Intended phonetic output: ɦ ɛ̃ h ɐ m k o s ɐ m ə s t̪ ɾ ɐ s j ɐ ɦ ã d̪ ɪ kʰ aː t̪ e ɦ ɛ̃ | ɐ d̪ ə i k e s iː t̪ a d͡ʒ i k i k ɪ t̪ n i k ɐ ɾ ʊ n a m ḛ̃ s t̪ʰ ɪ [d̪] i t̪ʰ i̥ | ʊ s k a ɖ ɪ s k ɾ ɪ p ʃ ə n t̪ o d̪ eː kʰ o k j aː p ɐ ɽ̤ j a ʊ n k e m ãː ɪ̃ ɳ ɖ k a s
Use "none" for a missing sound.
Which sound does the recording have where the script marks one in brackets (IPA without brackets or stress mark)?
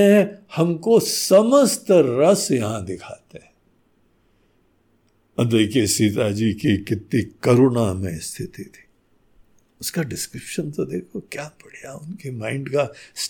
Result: t̪